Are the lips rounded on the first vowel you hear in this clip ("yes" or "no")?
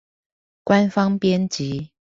no